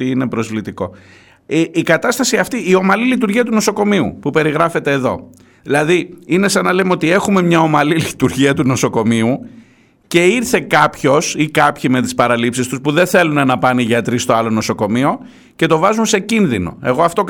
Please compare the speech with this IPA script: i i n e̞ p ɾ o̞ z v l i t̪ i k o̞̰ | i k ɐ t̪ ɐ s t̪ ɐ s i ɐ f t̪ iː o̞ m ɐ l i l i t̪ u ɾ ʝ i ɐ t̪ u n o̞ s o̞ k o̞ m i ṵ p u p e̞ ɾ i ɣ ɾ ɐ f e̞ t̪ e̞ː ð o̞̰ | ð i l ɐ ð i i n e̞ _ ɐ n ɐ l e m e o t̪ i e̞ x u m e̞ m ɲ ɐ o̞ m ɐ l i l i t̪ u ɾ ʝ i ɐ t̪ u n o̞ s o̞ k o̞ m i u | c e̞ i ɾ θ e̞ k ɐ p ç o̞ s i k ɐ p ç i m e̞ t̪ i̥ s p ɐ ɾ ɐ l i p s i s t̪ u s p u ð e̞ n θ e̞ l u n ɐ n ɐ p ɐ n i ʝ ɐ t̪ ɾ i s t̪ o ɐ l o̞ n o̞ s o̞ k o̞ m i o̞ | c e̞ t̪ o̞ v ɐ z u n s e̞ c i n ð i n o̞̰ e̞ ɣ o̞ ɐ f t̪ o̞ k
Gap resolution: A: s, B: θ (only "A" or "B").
A